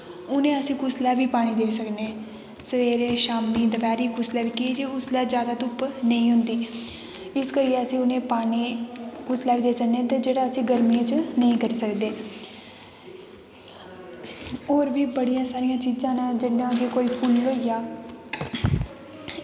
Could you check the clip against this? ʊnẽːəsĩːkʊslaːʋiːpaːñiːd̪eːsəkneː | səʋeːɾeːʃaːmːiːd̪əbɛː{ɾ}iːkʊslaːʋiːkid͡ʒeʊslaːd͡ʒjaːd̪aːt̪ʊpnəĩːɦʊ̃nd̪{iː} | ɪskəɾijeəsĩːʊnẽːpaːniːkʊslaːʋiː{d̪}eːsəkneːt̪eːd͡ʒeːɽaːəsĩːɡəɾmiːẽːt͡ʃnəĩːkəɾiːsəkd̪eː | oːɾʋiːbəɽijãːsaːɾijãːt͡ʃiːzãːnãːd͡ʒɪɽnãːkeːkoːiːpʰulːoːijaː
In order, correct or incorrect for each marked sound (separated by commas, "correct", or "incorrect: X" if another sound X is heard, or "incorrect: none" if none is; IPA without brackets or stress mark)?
correct, correct, correct